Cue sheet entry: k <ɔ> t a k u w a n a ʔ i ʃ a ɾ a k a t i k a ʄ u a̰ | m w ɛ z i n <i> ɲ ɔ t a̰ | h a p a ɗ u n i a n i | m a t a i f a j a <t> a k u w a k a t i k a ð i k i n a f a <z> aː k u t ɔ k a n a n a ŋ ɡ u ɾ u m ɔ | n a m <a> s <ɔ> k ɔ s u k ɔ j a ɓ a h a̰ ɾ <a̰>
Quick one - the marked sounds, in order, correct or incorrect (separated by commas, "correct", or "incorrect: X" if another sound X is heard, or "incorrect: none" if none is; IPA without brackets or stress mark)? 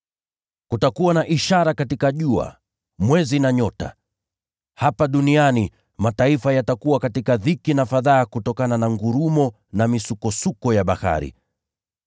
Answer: incorrect: u, incorrect: a, correct, incorrect: ð, incorrect: i, incorrect: u, incorrect: ḭ